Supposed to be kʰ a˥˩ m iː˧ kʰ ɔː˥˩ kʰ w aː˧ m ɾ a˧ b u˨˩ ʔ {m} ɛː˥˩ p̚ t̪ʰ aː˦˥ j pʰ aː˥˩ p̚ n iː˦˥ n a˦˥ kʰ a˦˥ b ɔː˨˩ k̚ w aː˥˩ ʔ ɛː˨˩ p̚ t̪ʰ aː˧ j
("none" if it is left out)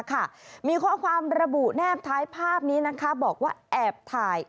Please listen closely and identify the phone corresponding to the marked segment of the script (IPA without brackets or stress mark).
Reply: n